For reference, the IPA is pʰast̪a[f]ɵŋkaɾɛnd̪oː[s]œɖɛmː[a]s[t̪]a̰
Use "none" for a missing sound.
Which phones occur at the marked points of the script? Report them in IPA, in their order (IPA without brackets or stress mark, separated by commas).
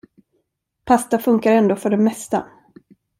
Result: f, f, ɛ, t̪